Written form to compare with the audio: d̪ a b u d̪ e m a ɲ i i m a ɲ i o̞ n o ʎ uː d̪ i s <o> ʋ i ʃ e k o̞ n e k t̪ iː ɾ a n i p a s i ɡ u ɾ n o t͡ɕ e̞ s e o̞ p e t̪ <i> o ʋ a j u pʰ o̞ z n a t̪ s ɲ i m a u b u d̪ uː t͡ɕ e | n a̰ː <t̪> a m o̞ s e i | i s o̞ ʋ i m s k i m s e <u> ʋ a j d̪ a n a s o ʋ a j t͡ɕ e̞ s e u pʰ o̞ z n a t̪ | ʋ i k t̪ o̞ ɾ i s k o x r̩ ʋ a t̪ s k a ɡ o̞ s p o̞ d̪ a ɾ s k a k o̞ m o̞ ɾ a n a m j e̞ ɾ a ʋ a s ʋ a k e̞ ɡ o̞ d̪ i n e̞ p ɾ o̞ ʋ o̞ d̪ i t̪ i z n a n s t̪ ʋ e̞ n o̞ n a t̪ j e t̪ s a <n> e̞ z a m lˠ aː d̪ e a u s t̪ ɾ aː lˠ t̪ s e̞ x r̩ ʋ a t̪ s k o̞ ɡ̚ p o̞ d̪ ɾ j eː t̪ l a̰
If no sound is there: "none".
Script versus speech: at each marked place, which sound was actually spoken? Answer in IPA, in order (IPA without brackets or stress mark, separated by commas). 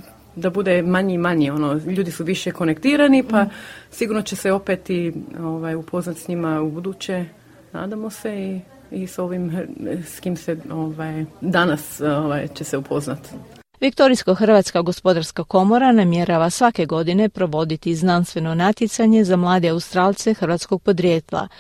u, i, d̪, o, ɲ